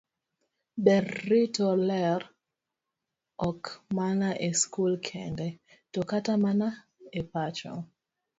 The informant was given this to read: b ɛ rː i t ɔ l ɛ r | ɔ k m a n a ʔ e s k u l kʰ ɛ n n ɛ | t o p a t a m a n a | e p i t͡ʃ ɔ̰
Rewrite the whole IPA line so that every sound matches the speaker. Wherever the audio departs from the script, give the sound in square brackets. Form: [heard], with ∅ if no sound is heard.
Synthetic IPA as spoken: b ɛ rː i t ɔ l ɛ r | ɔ k m a n a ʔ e s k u l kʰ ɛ n [d] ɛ | t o [k] a t a m a n a | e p [a] t͡ʃ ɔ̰